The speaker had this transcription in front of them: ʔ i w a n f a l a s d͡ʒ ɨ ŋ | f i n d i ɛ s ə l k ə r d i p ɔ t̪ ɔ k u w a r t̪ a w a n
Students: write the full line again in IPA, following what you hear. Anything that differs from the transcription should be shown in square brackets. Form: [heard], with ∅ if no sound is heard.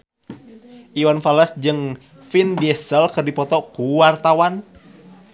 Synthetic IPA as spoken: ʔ i w a n f a l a s d͡ʒ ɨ ŋ | f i n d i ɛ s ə l k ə r d i p ɔ t̪ ɔ k u w a r t̪ a w a n